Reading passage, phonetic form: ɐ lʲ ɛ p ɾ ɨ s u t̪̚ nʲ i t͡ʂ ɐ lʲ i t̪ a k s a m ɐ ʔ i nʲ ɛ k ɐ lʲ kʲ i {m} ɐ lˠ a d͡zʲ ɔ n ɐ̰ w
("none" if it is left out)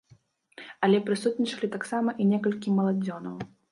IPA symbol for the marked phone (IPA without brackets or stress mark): m